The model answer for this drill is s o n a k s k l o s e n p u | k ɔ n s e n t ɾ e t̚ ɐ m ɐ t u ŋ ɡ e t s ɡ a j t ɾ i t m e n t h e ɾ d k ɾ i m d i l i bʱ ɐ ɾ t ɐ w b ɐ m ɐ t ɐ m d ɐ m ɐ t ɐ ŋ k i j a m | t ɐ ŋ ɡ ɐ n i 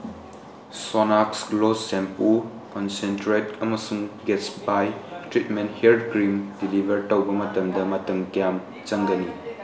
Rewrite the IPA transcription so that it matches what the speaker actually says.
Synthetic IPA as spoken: s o n a k s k l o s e m p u | k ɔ n s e n t ɾ e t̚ ɐ m ɐ s u ŋ ɡ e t s b a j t ɾ i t m e n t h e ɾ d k ɾ i m d i l i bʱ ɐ ɾ t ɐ w b ɐ m ɐ t ɐ m d ɐ m ɐ t ɐ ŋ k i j a m | t͡ʃ ɐ ŋ ɡ ɐ n i

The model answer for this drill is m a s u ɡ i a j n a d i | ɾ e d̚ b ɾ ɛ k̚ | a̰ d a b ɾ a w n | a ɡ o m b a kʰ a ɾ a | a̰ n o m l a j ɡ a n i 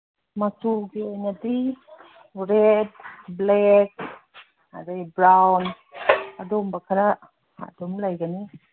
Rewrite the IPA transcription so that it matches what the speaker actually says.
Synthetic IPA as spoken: m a s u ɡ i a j n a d i | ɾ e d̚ b l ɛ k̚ | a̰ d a b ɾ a w n | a d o m b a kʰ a ɾ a | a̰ d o m l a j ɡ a n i

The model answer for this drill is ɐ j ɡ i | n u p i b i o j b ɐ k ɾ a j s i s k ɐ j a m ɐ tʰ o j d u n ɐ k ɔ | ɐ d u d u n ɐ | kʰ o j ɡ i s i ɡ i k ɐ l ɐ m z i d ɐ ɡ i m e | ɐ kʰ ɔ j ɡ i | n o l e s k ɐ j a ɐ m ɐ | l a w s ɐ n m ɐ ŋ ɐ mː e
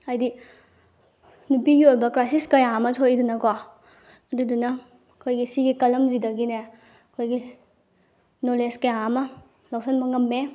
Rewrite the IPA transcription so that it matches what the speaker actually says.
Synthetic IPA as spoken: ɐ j d i | n u p i ɡ i o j b ɐ k ɾ a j s i s k ɐ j a m ɐ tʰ o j d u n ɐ k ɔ | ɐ d u d u n ɐ | kʰ o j ɡ i s i ɡ i k ɐ l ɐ m z i d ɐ ɡ i n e | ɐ kʰ o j ɡ i | n o l e s k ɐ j a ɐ m ɐ | l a w s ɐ n m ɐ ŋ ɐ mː e

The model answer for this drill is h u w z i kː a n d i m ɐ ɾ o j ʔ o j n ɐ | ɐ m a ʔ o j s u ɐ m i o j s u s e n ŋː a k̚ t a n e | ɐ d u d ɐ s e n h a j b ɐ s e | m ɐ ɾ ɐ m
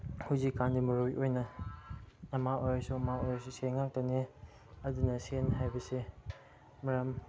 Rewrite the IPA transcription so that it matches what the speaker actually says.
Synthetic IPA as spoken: h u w z i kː a n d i m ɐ ɾ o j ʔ o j n ɐ | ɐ m a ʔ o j s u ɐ m a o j s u s e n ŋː a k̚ t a n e | ɐ d u n ɐ s e n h a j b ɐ s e | m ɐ ɾ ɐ m

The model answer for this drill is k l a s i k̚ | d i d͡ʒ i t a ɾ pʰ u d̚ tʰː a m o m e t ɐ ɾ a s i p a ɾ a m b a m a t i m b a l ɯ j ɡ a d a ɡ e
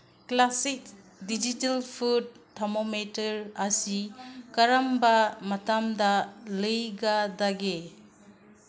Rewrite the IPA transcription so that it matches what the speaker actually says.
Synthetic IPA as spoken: k l a s i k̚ | d i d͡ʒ i t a l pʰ u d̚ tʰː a m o m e t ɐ ɾ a s i k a ɾ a m b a m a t a m d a l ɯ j ɡ a d a ɡ e

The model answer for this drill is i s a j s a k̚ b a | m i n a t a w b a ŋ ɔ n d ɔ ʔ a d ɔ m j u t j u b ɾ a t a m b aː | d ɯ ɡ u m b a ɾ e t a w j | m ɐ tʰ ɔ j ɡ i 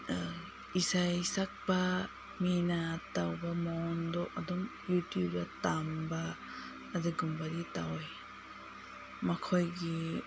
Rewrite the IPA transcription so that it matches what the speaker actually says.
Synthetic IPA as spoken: i s a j s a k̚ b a | m i n a t a w b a m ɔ n d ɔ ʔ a d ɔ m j u t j u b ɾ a t a m b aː | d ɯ ɡ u m b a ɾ i t a w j | m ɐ kʰ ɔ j ɡ i

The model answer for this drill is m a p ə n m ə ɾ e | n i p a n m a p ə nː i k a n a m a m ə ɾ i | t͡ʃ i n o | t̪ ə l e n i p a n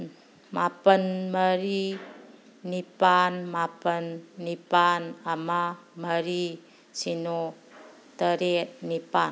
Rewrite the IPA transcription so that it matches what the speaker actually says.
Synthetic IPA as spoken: m a p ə n m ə ɾ i | n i p a n m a p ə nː i p a n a m a m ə ɾ i | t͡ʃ i n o | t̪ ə ɾ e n i p a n

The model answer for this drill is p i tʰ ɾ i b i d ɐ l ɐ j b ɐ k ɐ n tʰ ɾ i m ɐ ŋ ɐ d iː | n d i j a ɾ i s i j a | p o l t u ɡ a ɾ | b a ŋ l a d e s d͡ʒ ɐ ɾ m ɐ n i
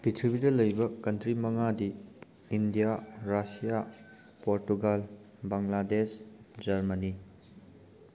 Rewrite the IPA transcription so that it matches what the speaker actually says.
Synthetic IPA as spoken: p i tʰ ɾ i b i d ɐ l ɐ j b ɐ k ɐ n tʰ ɾ i m ɐ ŋ a d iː | n d i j a ɾ a s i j a | p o ɾ t u ɡ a l | b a ŋ l a d e s d͡ʒ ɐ ɾ m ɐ n i

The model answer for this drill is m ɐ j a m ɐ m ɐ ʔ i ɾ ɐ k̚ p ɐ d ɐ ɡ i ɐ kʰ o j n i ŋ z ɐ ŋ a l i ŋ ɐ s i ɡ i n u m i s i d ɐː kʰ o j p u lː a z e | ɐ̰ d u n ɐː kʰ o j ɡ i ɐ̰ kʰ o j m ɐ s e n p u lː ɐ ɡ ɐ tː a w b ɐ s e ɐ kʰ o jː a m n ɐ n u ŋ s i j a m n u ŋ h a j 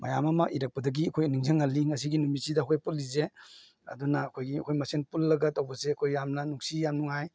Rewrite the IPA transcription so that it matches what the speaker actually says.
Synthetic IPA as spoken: m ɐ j a m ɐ m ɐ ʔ i ɾ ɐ k̚ p ɐ d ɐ ɡ i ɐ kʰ o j n i ŋ z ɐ ŋ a l i ŋ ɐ s i ɡ i n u m i s i d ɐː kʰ o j p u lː i z e | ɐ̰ d u n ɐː kʰ o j ɡ i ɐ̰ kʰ o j m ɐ s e n p u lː ɐ ɡ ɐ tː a w b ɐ s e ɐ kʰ o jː a m n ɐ n u ŋ s i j a m n u ŋ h a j

